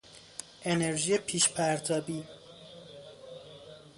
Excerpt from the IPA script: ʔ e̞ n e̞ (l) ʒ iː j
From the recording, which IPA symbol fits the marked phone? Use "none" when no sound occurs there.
ɾ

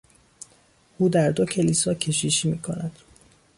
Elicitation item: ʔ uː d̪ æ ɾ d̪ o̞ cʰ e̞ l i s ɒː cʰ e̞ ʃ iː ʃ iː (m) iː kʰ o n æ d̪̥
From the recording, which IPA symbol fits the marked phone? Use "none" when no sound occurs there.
m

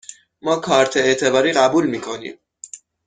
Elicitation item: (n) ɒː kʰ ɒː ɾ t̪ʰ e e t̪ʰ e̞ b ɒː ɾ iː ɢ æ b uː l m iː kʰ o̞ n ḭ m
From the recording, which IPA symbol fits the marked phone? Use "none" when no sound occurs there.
m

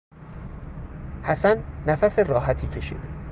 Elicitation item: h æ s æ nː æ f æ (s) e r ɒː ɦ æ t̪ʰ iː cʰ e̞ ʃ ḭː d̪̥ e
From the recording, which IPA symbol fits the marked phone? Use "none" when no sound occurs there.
s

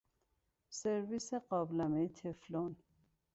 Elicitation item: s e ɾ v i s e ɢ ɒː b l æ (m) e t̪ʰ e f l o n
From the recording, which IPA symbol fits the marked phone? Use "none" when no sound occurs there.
m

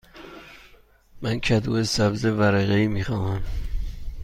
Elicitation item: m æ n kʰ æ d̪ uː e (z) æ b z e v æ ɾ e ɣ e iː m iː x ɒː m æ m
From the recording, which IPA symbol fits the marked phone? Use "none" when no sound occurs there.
s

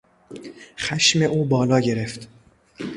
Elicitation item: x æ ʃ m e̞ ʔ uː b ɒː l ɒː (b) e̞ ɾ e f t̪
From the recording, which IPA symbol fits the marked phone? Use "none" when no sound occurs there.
ɟ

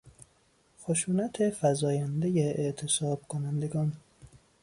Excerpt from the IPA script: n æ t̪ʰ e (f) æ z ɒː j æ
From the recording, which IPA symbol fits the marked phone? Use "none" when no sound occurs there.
f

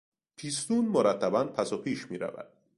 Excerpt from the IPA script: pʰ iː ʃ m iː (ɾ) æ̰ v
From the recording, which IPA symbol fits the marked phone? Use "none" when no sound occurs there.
ɾ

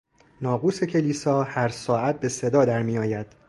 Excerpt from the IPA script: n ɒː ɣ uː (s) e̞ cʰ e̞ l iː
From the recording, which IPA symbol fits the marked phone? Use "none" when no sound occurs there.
s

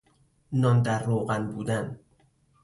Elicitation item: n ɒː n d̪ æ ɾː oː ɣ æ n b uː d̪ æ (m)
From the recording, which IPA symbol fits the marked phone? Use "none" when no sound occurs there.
n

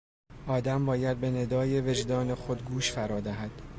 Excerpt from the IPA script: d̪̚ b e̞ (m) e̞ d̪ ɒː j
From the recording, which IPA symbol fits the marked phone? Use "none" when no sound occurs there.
n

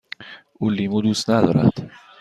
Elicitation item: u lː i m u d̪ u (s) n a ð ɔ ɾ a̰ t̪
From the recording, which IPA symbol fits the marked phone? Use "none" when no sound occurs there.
s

